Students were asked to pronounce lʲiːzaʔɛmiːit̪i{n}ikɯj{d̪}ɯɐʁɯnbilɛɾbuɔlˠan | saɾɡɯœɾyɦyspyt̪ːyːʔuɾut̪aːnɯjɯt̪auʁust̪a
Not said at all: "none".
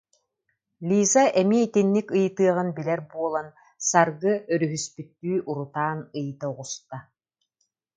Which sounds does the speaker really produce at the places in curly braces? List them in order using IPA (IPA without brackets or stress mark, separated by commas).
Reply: nː, t̪